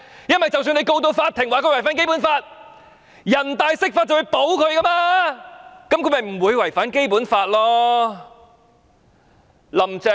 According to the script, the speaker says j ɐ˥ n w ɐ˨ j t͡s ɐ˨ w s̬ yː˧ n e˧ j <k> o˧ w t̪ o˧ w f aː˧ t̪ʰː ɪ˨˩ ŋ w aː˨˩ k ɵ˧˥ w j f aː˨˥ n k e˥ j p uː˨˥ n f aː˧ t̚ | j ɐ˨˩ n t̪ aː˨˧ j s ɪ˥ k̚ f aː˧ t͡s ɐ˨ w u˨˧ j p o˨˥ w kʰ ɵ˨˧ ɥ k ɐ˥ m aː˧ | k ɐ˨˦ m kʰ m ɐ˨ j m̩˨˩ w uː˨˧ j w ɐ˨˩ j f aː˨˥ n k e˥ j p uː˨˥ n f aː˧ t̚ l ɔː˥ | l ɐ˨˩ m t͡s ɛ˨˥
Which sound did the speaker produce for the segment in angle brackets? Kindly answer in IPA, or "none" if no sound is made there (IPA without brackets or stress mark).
k